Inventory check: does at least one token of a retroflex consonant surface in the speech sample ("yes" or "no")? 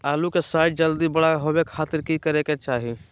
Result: yes